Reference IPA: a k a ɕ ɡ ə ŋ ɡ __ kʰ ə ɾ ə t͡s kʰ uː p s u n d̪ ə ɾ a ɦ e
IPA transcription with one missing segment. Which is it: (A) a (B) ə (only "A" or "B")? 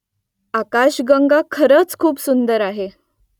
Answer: A